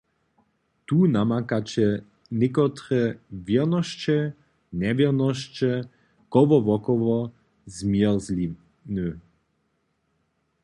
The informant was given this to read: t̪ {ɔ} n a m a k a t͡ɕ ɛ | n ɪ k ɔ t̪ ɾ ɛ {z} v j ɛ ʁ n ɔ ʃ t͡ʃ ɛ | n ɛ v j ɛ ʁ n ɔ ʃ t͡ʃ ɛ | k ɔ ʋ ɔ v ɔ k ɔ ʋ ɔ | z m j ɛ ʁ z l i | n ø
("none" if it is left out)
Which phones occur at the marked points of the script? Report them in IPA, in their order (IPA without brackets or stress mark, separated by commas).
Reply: u, none